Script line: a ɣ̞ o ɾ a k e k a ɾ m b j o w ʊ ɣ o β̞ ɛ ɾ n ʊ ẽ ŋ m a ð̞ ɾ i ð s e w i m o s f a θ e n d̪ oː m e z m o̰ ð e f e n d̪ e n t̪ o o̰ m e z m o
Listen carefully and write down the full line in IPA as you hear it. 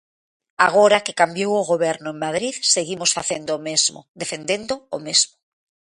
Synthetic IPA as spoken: a ɣ̞ o ɾ a k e k a m b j o w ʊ ɣ o β̞ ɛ ɾ n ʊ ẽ ŋ m a ð̞ ɾ i ð s e ɣ i m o s f a θ e n d̪ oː m e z m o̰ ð e f e n d̪ e n d̪ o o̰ m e z m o

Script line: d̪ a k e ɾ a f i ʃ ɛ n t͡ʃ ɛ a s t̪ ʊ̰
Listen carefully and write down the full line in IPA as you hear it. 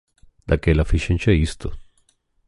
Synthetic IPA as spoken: d̪ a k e l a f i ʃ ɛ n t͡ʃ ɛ i s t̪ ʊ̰

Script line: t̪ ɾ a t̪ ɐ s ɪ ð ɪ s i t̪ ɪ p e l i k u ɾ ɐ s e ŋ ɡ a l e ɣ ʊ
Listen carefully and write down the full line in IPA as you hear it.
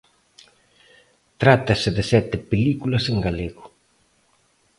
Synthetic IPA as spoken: t̪ ɾ a t̪ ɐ s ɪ ð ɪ s ɛ t̪ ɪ p e l i k u l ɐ s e ŋ ɡ a l e ɣ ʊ

